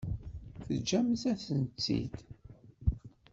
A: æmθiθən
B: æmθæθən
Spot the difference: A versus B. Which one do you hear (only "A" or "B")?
B